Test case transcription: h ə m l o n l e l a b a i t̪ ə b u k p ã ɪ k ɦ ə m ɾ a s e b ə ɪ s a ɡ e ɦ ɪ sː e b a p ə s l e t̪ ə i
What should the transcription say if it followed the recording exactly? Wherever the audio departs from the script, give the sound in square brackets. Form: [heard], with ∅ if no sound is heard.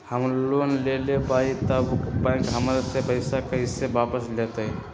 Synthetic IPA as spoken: h ə m l o n l e l [e] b a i t̪ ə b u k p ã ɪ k ɦ ə m ɾ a s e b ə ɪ s a [k] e ɦ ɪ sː e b a p ə s l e t̪ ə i